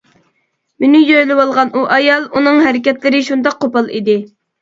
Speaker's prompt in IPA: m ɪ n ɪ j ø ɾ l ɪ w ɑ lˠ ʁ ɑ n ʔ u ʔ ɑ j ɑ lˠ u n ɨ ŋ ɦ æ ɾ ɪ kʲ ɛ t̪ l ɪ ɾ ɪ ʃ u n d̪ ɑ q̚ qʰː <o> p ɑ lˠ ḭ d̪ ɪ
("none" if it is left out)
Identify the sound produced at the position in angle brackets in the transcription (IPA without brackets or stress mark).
o